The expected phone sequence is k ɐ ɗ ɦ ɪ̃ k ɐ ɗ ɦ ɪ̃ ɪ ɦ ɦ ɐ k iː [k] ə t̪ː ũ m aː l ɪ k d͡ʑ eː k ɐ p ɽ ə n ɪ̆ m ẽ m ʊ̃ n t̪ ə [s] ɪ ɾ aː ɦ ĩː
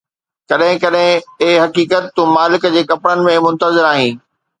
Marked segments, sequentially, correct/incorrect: correct, incorrect: z

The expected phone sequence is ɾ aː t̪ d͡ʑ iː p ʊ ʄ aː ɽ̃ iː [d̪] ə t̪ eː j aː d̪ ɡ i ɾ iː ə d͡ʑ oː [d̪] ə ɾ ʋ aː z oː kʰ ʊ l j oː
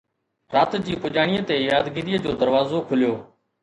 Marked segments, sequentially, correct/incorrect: incorrect: none, correct

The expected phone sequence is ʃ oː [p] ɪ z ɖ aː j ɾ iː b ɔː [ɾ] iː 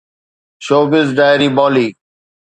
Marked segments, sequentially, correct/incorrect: incorrect: b, incorrect: l

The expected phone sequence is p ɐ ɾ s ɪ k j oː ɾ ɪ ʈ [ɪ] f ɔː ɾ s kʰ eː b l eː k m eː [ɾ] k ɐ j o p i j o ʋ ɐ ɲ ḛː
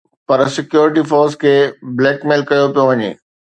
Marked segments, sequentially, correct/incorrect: incorrect: i, incorrect: l

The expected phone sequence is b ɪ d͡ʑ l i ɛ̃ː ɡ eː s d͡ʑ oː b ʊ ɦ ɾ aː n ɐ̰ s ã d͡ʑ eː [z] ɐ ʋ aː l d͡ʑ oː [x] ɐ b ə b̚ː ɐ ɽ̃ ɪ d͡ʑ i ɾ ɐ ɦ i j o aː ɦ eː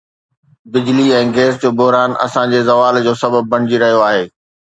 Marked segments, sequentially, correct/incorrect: correct, incorrect: s

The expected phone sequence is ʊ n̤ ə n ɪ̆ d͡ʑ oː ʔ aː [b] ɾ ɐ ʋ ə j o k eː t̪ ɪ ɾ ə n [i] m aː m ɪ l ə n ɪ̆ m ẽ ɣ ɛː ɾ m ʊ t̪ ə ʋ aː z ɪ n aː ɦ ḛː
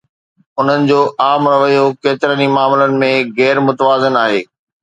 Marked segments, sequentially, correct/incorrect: incorrect: m, correct

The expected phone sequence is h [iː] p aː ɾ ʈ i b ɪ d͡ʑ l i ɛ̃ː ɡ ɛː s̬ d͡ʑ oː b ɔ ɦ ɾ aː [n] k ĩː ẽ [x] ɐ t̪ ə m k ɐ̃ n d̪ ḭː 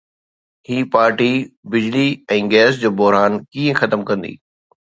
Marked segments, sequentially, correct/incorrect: correct, correct, correct

